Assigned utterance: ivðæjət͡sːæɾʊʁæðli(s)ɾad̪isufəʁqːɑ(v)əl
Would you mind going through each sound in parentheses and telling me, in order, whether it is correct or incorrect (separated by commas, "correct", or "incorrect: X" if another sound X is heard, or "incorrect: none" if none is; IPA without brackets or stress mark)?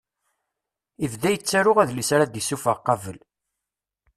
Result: correct, correct